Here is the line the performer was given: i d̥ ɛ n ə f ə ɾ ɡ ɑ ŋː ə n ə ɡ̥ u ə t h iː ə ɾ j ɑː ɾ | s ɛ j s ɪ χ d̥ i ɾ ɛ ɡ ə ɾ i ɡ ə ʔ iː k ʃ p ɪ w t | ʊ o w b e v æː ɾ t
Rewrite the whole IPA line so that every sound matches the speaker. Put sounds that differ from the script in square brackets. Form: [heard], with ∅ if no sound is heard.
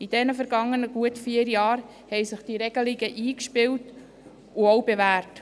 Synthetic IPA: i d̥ ɛ n ə f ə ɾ ɡ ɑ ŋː ə n ə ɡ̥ u ə t [f] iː ə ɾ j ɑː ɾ | [h] ɛ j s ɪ χ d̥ i ɾ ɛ ɡ ə [l] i ɡ ə ʔ iː k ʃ p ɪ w t | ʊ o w b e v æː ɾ t